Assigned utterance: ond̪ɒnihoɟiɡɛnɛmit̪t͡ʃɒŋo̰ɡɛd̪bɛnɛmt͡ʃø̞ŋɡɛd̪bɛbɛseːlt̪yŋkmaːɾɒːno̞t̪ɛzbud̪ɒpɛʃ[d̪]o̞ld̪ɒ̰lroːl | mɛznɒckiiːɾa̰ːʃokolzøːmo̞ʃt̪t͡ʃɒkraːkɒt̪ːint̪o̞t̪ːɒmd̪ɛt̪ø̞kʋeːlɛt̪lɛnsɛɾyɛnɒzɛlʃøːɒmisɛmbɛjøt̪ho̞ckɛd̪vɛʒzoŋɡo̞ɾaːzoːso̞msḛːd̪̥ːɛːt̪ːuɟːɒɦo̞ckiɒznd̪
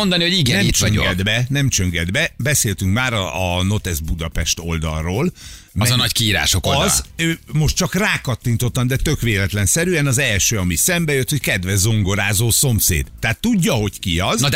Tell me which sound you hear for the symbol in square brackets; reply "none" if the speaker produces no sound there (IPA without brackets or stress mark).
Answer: t̪